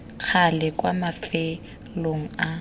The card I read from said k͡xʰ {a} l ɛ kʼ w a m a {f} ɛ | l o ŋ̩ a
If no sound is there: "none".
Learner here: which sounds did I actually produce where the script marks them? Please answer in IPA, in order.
a, f

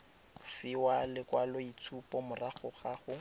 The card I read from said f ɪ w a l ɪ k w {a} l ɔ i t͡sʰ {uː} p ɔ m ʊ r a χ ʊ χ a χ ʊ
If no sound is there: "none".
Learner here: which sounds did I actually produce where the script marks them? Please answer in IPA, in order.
a, u

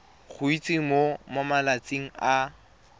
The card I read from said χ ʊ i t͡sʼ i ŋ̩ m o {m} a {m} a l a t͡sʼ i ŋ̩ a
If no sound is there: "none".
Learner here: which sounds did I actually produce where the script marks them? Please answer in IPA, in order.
m, m

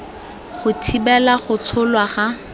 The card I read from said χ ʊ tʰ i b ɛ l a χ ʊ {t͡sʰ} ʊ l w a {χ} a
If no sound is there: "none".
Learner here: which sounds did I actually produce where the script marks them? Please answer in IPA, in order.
t͡sʰ, χ

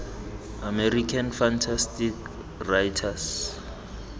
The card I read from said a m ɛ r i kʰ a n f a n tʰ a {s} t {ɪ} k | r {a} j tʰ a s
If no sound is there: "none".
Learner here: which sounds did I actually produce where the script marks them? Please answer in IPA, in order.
s, i, a

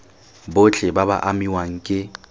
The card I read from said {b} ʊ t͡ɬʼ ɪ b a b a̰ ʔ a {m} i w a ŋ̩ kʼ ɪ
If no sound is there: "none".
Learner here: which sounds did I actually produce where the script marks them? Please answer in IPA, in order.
b, m

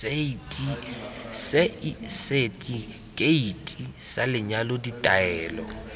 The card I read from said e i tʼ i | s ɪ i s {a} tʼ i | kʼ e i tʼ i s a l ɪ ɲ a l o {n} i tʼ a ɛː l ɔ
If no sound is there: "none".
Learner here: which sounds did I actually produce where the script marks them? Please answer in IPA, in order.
e, d

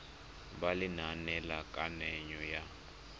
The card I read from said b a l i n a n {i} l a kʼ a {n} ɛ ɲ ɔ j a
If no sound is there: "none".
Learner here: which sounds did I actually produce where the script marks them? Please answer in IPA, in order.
ɛ, n

